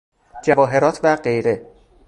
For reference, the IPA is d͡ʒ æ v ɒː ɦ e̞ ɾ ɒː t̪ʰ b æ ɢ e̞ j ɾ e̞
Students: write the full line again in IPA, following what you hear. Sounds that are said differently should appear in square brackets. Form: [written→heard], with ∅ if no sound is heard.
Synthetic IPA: d͡ʒ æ v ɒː ɦ e̞ ɾ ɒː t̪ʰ [b→v] æ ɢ e̞ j ɾ e̞